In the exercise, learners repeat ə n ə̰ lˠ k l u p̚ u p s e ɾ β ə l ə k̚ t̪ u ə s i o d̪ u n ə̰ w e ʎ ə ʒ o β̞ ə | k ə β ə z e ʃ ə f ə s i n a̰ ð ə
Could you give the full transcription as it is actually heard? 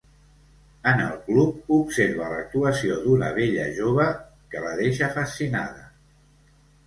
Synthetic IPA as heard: ə n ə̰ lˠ k l u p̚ u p s e ɾ β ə l ə k̚ t̪ u ə s i o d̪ u n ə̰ β e ʎ ə ʒ o β̞ ə | k ə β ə ð e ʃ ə f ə s i n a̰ ð ə